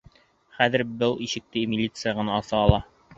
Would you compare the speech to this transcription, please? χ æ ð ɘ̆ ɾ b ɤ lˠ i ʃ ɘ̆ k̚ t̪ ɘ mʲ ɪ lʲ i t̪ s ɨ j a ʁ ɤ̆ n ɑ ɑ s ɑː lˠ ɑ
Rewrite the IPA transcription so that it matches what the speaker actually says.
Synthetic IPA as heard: χ æ ð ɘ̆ ɾ b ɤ lˠ i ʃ ɘ̆ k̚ t̪ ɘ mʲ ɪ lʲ i t̪ s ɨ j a ʁ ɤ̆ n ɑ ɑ s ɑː lˠ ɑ